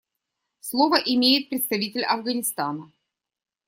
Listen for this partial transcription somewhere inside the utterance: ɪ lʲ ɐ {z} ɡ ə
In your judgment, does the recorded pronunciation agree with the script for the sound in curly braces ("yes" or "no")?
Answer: no